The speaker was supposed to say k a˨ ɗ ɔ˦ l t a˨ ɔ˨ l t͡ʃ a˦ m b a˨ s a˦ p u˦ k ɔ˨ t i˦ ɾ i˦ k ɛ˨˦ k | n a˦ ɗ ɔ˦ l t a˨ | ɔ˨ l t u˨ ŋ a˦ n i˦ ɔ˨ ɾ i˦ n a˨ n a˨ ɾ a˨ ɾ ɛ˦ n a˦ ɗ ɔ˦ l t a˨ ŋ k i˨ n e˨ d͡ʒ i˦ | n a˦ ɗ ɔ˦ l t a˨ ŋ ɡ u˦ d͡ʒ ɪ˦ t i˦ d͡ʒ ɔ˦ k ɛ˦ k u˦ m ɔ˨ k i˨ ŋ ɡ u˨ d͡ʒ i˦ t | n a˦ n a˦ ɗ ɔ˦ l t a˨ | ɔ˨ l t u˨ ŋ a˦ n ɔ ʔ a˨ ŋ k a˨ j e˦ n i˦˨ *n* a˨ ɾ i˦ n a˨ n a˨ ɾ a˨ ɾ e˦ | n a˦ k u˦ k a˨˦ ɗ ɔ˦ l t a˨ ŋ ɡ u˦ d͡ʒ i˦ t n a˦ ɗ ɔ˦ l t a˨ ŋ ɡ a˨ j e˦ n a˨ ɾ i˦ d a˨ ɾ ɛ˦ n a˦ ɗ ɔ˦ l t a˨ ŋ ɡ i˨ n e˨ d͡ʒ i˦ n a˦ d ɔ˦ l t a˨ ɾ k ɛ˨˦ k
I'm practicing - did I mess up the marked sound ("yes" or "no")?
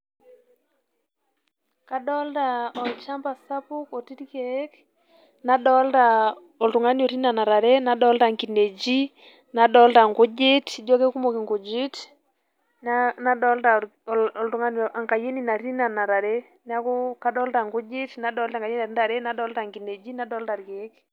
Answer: no